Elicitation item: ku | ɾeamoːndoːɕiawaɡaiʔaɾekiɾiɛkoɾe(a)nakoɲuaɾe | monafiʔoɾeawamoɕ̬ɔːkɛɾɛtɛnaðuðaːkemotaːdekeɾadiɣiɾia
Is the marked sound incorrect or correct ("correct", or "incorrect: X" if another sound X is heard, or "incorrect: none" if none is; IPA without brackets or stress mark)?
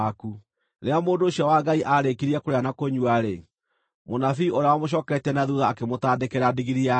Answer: correct